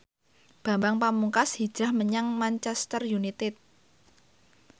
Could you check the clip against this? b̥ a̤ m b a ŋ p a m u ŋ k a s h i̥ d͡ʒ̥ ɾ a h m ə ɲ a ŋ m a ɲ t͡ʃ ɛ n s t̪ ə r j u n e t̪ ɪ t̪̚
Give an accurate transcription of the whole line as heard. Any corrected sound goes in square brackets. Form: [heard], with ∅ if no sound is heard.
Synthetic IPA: b̥ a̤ m b a ŋ p a m u ŋ k a s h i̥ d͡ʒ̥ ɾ a h m ə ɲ a ŋ m a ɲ t͡ʃ ɛ [∅] s t̪ ə r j u n [i] t̪ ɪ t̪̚